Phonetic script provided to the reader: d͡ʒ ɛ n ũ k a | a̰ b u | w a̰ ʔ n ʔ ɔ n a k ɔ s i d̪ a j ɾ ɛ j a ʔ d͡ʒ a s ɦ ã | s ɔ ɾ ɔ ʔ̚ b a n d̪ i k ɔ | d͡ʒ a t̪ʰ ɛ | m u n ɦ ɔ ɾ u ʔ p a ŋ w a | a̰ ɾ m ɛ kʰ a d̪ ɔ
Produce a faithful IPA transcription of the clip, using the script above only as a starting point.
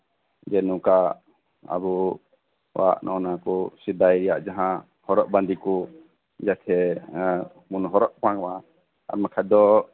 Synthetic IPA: d͡ʒ ɛ n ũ k a | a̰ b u | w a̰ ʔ n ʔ ɔ n a k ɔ s i d̪ a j ɾ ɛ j a ʔ d͡ʒ a ɦ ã | h ɔ ɾ ɔ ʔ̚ b a n d̪ i k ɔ | d͡ʒ a t̪ʰ ɛ | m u n ɦ ɔ ɾ ɔ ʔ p a ŋ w a | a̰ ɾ m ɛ kʰ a d̪ ɔ